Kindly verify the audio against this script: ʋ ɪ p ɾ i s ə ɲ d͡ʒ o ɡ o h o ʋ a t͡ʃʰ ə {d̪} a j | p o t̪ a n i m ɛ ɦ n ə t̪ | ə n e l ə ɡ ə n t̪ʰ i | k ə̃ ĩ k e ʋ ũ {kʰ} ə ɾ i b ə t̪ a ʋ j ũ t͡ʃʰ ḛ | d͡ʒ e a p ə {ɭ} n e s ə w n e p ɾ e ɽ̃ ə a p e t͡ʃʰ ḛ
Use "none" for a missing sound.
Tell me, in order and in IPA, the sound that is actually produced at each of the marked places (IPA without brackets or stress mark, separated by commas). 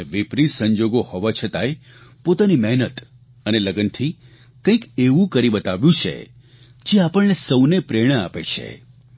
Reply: t̪, k, ɭ